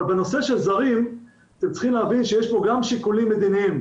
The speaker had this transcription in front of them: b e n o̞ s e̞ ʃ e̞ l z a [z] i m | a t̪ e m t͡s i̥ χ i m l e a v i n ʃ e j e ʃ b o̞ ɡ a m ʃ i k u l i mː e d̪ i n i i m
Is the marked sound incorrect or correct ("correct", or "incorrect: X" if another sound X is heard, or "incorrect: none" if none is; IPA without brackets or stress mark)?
incorrect: ʁ